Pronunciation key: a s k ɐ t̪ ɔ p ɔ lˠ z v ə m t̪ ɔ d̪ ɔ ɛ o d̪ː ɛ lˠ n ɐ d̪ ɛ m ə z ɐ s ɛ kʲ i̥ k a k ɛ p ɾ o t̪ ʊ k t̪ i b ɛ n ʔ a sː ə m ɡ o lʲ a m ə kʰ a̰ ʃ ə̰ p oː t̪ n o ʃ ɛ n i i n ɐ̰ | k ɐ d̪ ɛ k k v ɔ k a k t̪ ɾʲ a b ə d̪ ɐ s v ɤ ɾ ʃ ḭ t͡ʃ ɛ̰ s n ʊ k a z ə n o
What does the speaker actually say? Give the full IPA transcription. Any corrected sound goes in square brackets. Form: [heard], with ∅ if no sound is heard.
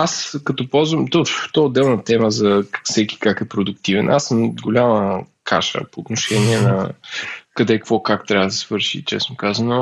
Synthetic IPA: a s k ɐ t̪ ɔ p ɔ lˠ z v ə m t̪ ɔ [t̪] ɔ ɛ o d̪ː ɛ lˠ n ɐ [t̪] ɛ m ə z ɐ s ɛ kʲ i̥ k a k ɛ p ɾ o [d̪] ʊ k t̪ i [v] ɛ n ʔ a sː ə m ɡ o lʲ a m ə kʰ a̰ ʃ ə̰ p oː t̪ n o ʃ ɛ n i [ɛ] n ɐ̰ | k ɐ d̪ ɛ k k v ɔ k a k t̪ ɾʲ a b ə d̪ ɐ s v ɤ ɾ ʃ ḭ t͡ʃ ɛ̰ s n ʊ k a z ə n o